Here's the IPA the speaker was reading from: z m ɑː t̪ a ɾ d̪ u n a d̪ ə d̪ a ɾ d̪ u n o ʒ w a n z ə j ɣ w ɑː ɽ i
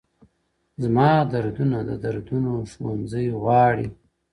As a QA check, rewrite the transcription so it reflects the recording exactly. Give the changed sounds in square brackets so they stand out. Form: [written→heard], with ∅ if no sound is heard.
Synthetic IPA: z m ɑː [t̪→d̪] a ɾ d̪ u n a d̪ ə d̪ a ɾ d̪ u n o [ʒ→ʃ] w a n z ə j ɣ w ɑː ɽ i